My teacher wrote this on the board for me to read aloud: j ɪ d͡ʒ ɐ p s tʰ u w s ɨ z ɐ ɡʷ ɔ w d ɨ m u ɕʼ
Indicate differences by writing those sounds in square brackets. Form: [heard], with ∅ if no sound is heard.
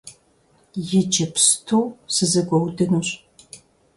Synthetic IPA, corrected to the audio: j ɪ d͡ʒ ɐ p s tʰ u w s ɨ z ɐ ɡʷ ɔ w d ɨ [n] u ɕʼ